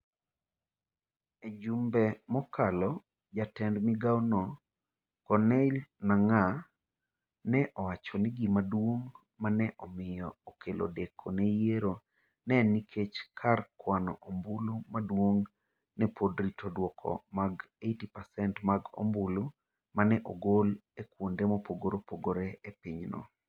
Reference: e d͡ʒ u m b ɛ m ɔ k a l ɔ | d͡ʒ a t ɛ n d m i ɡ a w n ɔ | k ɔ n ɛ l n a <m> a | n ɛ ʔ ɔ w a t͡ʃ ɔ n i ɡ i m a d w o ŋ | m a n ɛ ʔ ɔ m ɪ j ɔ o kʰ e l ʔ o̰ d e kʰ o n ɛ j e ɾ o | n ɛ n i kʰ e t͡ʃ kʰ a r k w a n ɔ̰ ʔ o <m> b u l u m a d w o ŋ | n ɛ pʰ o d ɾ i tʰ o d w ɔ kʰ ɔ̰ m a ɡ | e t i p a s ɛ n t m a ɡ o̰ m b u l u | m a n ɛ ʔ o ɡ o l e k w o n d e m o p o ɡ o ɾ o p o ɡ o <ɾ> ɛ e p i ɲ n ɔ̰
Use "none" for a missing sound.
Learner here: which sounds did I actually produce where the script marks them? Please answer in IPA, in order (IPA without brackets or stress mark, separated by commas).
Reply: ŋ, m, ɾ